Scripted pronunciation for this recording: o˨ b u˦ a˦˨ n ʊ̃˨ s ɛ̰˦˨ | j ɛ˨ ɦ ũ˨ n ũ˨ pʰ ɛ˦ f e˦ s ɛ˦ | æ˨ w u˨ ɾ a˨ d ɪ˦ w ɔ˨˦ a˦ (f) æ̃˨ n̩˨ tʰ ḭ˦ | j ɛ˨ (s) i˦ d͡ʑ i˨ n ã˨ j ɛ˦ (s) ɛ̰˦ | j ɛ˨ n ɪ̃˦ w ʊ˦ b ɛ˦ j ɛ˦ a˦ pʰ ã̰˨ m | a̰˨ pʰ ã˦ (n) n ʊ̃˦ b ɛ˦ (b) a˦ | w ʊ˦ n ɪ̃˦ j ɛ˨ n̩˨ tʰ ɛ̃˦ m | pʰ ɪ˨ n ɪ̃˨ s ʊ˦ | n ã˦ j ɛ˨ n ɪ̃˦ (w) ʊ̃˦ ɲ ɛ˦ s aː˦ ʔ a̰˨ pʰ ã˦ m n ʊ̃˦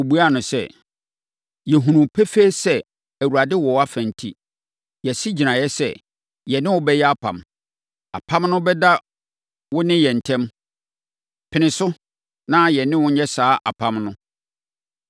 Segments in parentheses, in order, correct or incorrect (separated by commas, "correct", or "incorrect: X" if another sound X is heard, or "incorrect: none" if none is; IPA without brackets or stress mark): correct, correct, correct, incorrect: m, incorrect: d, correct